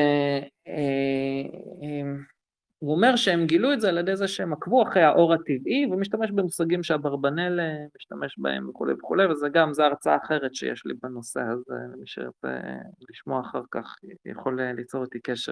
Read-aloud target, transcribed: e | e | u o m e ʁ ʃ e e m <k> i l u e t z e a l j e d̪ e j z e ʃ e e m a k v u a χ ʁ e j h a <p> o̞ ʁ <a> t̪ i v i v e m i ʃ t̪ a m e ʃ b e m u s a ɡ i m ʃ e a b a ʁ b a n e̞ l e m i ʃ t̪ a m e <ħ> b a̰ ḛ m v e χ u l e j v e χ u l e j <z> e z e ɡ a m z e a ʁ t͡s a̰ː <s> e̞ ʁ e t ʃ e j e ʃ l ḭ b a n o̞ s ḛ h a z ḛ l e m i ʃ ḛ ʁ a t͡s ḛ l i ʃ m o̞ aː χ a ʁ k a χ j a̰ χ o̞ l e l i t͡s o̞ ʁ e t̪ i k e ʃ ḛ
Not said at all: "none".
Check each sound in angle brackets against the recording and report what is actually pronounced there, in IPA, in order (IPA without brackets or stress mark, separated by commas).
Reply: ɡ, ʔ, a, ʃ, v, χ